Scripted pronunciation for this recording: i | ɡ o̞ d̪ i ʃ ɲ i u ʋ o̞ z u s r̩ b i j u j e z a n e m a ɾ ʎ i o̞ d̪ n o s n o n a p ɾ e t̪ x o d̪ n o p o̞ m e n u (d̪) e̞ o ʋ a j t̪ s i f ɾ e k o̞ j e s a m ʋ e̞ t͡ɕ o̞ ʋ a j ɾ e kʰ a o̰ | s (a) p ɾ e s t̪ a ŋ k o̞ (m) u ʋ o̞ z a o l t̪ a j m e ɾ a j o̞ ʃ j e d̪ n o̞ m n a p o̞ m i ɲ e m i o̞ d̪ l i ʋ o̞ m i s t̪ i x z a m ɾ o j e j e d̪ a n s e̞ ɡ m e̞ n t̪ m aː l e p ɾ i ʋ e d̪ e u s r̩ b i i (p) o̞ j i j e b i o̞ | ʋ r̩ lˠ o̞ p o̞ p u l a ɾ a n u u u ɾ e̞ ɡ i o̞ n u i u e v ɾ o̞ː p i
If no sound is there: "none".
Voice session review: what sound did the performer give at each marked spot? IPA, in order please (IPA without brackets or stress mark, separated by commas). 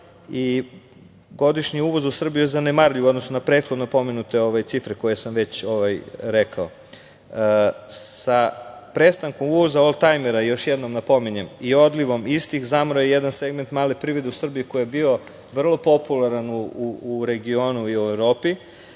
t̪, a, m, k